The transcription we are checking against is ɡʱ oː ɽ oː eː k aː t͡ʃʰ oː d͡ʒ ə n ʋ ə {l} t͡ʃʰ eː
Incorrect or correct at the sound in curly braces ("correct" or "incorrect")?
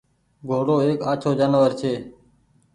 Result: incorrect